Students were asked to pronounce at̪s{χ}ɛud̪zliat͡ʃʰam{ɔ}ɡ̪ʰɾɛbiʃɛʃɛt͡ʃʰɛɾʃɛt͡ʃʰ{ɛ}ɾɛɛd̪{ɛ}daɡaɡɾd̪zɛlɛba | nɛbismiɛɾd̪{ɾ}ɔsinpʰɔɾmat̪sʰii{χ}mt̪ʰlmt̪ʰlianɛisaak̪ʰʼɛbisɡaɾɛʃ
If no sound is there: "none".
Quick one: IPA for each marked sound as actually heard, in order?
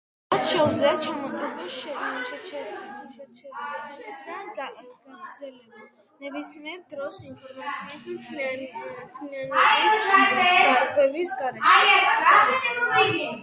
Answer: ʃ, ɔ, ɛ, a, ɾ, s

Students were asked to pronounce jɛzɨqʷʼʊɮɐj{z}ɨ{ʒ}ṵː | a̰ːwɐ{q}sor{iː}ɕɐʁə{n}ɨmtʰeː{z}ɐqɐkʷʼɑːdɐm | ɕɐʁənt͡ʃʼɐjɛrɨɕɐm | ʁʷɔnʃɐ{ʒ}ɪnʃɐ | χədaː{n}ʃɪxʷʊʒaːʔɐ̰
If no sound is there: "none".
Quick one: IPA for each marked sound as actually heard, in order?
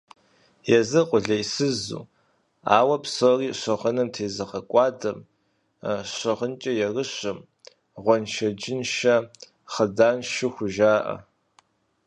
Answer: s, z, p, iː, n, z, d͡ʒ, n

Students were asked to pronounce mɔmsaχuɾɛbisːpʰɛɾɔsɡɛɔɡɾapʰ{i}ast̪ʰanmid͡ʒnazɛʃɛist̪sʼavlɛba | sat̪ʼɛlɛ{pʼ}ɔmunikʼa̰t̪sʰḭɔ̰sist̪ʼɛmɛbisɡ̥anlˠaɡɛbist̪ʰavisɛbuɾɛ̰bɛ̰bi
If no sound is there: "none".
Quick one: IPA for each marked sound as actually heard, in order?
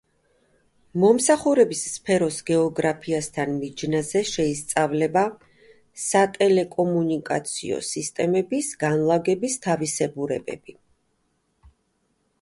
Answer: i, kʼ

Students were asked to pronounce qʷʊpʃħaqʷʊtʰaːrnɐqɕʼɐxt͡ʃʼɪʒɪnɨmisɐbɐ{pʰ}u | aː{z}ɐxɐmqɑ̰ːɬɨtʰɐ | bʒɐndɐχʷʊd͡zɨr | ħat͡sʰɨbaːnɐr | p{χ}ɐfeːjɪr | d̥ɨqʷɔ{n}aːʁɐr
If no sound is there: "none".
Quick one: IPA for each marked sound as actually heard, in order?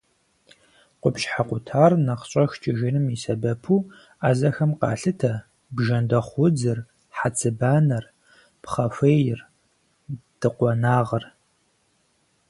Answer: pʰ, z, χ, n

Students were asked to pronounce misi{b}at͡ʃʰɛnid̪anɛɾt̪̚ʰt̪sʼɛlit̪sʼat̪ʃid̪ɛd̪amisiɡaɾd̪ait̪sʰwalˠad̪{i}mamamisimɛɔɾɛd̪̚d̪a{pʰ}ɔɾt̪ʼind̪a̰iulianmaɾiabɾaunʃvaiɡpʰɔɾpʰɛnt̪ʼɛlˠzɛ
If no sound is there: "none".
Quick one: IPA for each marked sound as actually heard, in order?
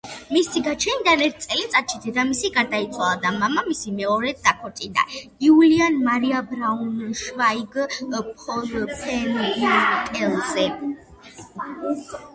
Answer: ɡ, a, kʰ

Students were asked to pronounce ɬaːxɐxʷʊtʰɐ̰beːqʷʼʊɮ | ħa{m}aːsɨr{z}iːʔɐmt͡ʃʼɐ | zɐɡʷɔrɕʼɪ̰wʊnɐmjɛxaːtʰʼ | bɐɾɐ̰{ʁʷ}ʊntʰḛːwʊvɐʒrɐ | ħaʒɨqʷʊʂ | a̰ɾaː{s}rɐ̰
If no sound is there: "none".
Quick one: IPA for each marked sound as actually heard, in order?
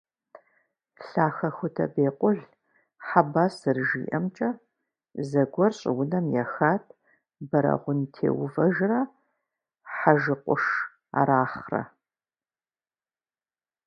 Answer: b, ʒ, ʁʷ, χ

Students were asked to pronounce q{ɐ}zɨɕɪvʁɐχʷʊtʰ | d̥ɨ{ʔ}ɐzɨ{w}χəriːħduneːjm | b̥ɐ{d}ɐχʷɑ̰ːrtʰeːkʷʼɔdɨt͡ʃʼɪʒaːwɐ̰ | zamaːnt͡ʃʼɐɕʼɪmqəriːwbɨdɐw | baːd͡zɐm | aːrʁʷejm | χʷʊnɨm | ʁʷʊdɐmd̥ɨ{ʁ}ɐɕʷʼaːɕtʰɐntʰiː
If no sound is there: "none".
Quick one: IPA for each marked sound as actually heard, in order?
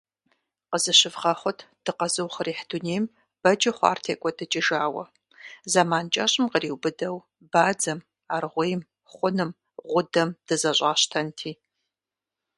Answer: ə, q, w, d͡ʒ, z

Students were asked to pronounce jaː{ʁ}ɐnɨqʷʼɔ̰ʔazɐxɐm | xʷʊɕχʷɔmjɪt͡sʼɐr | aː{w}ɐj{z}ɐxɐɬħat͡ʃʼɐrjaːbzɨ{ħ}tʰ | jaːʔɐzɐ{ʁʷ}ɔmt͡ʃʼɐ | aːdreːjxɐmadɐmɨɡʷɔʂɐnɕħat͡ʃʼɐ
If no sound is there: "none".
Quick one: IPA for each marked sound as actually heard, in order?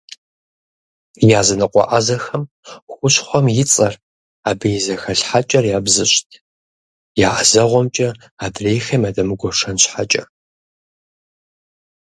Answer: z, b, z, ɕ, ʁʷ

